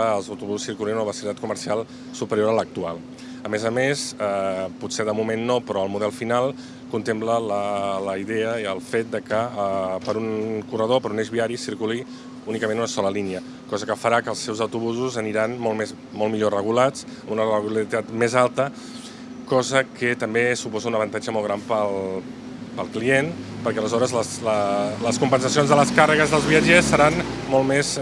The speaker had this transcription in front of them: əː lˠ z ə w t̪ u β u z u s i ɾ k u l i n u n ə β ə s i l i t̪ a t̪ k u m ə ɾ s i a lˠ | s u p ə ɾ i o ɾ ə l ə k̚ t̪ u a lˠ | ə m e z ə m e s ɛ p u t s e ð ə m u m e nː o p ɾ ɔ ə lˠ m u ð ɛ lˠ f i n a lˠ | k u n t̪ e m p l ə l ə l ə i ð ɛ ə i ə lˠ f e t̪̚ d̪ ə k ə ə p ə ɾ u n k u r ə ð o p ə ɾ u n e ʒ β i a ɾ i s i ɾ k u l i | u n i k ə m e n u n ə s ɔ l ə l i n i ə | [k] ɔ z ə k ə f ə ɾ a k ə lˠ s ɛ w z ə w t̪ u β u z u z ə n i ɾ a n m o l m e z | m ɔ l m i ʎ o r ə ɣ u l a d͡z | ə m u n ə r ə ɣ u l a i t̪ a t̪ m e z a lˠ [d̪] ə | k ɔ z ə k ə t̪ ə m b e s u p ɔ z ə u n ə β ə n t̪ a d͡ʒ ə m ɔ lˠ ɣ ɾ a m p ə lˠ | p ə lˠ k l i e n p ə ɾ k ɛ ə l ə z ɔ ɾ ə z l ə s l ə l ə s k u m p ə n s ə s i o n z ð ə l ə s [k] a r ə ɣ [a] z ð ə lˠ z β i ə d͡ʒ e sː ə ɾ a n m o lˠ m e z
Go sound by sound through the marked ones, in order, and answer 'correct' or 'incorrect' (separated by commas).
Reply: correct, incorrect, correct, incorrect